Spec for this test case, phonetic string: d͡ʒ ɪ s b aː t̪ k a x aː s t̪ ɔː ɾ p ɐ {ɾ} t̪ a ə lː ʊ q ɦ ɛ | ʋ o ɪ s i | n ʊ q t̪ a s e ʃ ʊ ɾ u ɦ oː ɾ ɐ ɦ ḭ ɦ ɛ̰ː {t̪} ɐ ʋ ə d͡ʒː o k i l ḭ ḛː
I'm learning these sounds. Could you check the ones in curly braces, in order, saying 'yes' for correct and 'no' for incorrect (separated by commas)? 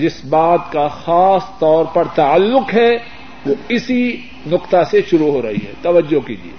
yes, yes